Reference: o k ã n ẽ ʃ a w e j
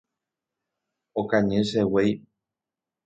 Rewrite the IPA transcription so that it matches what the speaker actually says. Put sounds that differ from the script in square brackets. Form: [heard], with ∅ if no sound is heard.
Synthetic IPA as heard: o k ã [ɲ] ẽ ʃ [e] w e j